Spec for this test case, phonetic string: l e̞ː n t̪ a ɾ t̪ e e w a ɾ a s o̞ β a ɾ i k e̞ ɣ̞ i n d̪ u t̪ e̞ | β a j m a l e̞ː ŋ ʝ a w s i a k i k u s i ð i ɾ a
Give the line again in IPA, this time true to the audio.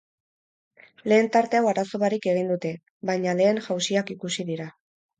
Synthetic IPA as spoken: l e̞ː n t̪ a ɾ t̪ e a w a ɾ a s o̞ β a ɾ i k e̞ ɣ̞ i n d̪ u t̪ e̞ | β a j ɲ a l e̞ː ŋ ʝ a w s i a k i k u s i ð i ɾ a